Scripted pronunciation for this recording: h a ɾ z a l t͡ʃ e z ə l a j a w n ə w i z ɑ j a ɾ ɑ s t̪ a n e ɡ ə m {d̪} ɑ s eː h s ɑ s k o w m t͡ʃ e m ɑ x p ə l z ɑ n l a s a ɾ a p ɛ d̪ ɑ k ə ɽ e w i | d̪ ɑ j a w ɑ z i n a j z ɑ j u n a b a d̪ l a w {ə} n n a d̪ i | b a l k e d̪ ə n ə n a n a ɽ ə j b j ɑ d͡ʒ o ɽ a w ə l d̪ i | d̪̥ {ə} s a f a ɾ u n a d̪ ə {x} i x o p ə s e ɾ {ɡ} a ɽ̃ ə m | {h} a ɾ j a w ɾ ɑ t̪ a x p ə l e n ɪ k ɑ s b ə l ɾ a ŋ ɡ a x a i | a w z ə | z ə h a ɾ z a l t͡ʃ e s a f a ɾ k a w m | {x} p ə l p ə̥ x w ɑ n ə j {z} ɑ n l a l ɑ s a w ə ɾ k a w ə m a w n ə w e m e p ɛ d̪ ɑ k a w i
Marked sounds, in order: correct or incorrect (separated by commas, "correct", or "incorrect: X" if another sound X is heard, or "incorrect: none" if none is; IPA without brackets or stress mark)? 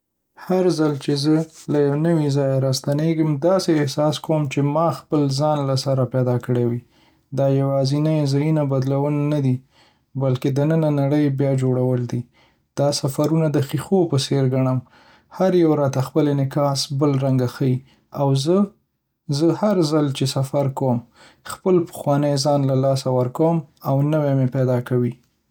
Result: correct, correct, incorrect: ɑ, correct, correct, correct, correct, correct